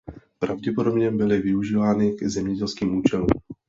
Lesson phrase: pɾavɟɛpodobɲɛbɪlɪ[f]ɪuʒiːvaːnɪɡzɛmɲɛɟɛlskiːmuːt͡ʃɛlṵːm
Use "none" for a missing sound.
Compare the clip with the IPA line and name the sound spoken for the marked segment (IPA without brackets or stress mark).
v